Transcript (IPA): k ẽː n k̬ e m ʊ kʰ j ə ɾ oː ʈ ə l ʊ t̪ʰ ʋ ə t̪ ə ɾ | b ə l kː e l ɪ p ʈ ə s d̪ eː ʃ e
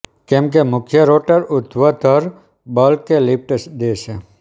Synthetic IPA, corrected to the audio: k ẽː m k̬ e m ʊ kʰ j ə ɾ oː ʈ ə ɾ ʊ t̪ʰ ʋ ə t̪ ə ɾ | b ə l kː e l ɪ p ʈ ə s d̪ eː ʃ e